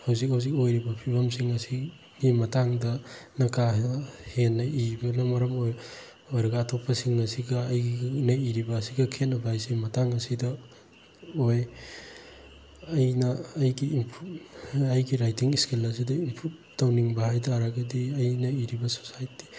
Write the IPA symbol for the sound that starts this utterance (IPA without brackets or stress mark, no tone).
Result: h